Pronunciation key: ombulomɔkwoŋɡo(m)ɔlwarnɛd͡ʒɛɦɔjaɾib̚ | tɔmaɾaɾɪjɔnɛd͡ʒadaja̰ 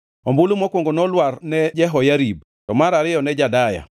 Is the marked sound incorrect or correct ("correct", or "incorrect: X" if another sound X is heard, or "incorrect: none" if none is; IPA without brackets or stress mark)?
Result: incorrect: n